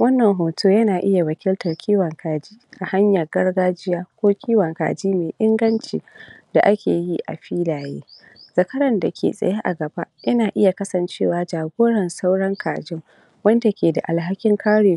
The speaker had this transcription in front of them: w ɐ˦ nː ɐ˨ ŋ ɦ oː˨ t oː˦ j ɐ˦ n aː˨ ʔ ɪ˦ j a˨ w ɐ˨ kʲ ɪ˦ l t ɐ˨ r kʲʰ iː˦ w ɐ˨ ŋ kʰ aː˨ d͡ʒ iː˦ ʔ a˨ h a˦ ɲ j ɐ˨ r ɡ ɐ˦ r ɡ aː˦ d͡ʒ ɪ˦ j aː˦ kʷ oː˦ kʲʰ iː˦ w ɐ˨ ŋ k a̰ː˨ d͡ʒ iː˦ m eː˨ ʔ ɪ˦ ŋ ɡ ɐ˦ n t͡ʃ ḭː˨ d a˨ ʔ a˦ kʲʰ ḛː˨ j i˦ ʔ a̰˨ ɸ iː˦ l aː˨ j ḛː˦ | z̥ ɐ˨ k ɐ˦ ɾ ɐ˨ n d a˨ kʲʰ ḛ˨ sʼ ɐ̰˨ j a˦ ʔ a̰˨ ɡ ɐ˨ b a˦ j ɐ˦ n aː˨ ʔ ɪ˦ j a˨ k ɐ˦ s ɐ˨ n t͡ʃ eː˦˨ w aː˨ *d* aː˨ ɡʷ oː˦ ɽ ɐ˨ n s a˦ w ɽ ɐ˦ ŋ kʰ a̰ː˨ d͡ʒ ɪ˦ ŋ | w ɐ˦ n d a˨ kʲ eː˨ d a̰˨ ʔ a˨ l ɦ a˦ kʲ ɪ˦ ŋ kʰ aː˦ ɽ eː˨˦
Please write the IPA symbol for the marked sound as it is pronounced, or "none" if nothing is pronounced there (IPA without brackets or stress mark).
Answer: d͡ʒ